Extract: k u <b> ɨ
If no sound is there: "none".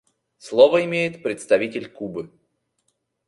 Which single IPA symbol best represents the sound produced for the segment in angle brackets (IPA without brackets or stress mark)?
b